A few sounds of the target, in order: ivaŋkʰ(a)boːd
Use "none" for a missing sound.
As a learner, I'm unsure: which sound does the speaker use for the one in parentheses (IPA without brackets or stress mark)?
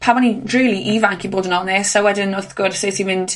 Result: i